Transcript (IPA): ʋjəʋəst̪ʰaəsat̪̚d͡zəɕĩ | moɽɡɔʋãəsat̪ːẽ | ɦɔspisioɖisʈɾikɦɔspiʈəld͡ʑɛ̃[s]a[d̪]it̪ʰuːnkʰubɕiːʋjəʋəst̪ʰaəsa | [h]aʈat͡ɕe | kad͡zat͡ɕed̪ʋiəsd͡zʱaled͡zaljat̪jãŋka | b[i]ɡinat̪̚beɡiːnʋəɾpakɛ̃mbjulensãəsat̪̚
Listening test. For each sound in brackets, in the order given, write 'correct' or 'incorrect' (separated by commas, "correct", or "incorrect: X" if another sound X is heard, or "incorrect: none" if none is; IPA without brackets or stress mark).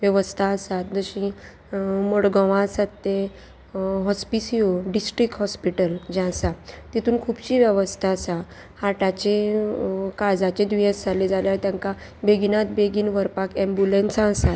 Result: correct, incorrect: t̪, correct, incorrect: e